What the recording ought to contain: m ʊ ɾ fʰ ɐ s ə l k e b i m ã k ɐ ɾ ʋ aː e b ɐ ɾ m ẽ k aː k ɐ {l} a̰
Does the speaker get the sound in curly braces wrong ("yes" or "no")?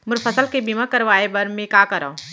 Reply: yes